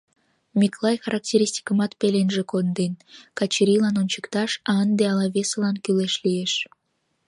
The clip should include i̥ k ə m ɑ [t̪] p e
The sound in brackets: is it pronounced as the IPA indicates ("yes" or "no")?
yes